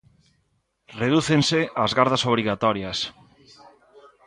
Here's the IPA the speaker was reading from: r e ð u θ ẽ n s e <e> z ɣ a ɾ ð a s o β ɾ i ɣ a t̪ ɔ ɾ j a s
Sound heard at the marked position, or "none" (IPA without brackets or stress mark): a